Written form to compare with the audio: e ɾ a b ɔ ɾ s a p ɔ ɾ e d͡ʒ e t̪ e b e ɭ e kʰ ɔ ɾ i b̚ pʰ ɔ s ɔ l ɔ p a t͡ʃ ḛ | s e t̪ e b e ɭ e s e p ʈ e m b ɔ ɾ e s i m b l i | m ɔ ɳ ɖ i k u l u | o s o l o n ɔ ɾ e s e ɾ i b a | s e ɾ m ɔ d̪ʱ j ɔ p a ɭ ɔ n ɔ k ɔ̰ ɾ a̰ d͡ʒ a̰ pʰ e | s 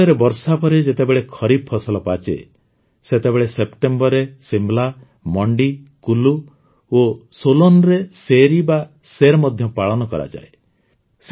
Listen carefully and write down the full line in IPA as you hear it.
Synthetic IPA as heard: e ɾ e b ɔ ɾ s a p ɔ ɾ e d͡ʒ e t̪ e b e ɭ e kʰ ɔ ɾ i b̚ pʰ ɔ s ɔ l ɔ p a t͡ʃ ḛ | s e t̪ e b e ɭ e s e p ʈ e m b ɔ ɾ e s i m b l a | m ɔ ɳ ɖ i k u l u | o s o l o n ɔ ɾ e s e ɾ i b a | s e ɾ m ɔ d̪ʱ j ɔ p a ɭ ɔ n ɔ k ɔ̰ ɾ a̰ d͡ʒ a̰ e | s

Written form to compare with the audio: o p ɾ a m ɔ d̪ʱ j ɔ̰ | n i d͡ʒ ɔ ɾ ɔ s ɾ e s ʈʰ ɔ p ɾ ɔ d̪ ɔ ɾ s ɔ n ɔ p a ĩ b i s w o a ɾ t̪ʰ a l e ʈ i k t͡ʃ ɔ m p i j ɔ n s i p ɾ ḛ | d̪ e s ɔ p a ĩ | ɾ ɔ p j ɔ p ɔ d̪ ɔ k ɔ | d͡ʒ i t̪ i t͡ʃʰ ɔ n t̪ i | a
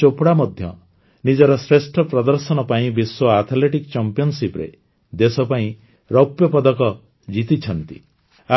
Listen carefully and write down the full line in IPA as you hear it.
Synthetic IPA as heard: o p ɽ a m ɔ d̪ʱ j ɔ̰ | n i d͡ʒ ɔ ɾ ɔ s ɾ e s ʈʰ ɔ p ɾ ɔ d̪ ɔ ɾ s ɔ n ɔ p a ĩ b i s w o a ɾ t̪ʰ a l e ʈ i k t͡ʃ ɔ m p i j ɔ n s i p ɾ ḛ | d̪ e s ɔ p a ĩ | ɾ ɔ p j ɔ p ɔ d̪ ɔ k ɔ | d͡ʒ i t̪ i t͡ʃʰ ɔ n t̪ i | a

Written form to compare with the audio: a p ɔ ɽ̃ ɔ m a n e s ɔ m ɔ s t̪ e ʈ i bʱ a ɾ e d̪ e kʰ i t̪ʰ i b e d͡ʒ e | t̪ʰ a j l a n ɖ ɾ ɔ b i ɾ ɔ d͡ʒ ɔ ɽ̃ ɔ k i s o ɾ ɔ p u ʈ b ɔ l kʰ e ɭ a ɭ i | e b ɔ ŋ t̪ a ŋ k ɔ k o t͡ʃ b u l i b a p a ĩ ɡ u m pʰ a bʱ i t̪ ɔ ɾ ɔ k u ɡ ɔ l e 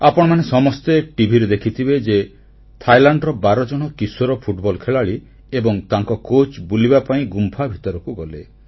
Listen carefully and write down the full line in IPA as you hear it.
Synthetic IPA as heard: a p ɔ ɽ̃ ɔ m a n e s ɔ m ɔ s t̪ e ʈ i bʱ i ɾ e d̪ e kʰ i t̪ʰ i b e d͡ʒ e | t̪ʰ a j l a ɳ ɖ ɾ ɔ b a ɾ ɔ d͡ʒ ɔ ɽ̃ ɔ k i s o ɾ ɔ pʰ u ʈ b ɔ l kʰ e ɭ a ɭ i | e b ɔ ŋ t̪ a ŋ k ɔ k o t͡ʃ b u l i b a p a ĩ ɡ u m pʰ a bʱ i t̪ ɔ ɾ ɔ k u ɡ ɔ l e

